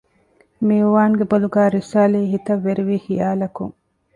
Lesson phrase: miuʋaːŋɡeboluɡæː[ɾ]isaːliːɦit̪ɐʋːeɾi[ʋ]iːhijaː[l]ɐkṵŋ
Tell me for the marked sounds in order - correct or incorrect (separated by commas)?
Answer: correct, correct, correct